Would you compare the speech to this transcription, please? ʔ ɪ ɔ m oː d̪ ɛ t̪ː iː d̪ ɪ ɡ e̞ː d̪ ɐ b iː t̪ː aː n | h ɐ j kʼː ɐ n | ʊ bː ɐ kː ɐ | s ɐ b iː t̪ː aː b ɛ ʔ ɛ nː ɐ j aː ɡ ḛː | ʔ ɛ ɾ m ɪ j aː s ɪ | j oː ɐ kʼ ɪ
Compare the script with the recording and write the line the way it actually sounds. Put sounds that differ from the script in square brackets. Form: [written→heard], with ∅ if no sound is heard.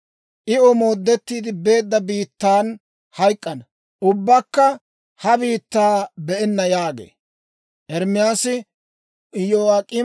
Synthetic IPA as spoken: ʔ ɪ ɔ m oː [d̪→d̪ː] ɛ t̪ː iː d̪ ɪ [ɡ→b] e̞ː [d̪→d̪ː] ɐ b iː t̪ː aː n | h ɐ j kʼː ɐ n | ʊ bː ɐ kː ɐ | [s→h] ɐ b iː t̪ː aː b ɛ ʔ ɛ nː ɐ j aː ɡ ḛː | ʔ ɛ ɾ m ɪ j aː s ɪ | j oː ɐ kʼ ɪ